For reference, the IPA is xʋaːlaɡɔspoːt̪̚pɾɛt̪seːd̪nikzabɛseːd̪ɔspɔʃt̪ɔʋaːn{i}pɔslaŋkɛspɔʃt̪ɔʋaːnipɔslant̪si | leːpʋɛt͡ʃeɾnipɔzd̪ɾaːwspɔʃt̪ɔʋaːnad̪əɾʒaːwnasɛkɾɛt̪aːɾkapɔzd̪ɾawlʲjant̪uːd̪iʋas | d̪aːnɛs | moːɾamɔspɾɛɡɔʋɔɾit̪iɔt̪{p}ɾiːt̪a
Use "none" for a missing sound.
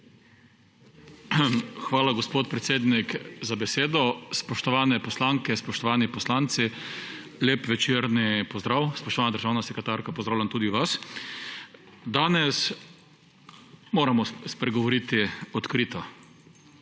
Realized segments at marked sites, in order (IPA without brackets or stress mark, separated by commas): ɛ, k